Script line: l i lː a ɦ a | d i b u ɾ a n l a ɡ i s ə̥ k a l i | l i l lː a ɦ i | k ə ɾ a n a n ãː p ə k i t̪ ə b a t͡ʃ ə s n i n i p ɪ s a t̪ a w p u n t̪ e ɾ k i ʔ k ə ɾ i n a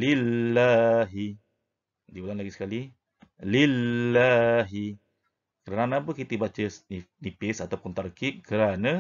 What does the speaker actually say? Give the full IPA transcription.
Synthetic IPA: l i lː a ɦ i | d i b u l a n l a ɡ i s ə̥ k a l i | l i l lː a ɦ i | k ə ɾ a n a n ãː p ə k i t̪ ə b a t͡ʃ ə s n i n i p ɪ s a t̪ a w p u n t̪ a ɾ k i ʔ k ə ɾ a n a